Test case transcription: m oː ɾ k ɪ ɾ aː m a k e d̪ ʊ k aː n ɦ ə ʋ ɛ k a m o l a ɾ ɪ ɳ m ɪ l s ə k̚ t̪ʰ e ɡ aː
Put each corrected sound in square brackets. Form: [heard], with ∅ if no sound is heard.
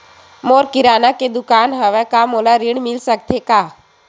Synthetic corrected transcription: m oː ɾ k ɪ ɾ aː [n] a k e d̪ ʊ k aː n ɦ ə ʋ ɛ k a m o l a ɾ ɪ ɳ m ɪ l s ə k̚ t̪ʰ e [k] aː